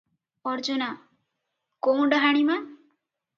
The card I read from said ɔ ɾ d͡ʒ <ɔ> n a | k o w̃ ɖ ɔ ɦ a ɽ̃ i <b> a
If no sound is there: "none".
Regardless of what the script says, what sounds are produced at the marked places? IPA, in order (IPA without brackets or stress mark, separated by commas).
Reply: u, m